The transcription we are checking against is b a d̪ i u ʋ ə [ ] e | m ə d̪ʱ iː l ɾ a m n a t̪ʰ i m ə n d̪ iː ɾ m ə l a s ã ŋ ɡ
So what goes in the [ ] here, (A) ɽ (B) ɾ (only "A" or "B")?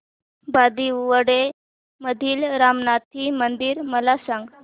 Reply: A